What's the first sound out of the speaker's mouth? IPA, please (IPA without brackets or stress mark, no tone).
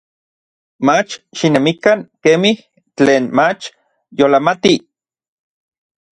m